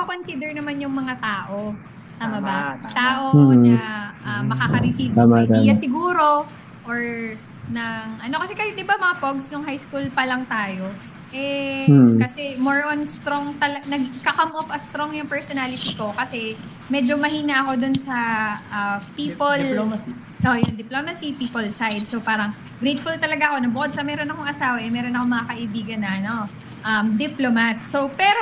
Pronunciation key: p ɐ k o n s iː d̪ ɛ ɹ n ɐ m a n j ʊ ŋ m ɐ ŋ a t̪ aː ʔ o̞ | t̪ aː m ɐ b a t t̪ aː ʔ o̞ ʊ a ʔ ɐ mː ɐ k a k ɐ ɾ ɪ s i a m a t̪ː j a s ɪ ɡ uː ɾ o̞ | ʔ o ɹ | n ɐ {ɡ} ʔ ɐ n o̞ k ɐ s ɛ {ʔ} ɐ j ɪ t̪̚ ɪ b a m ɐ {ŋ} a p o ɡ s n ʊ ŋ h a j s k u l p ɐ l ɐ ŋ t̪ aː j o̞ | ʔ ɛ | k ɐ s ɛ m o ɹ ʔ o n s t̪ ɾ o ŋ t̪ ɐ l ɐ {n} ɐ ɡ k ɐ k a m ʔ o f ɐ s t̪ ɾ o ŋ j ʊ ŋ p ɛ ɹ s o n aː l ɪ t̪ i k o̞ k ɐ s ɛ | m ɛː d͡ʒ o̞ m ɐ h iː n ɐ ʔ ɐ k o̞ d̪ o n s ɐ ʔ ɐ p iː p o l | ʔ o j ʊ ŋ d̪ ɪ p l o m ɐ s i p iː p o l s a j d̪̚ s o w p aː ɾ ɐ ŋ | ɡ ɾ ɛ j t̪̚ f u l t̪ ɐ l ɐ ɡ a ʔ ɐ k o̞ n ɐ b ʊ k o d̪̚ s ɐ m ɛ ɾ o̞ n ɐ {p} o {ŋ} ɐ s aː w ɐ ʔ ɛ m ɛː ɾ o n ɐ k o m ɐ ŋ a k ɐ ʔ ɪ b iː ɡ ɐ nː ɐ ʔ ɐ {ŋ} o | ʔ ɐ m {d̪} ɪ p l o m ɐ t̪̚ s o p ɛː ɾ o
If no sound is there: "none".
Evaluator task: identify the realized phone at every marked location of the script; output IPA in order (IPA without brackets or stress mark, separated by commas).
ŋ, k, ŋ, n, k, ŋ, n, d̪